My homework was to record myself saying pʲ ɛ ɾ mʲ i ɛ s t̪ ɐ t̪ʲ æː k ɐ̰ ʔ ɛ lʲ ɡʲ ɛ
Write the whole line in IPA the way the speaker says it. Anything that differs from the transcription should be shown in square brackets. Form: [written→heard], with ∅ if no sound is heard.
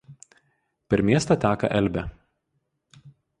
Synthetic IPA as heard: pʲ ɛ ɾ mʲ i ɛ s t̪ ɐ t̪ʲ æː k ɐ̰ ʔ ɛ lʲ [ɡʲ→bʲ] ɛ